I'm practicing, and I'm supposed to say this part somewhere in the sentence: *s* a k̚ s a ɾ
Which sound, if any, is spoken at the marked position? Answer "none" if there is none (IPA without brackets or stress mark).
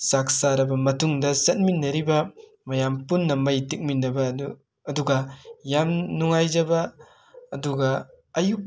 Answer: s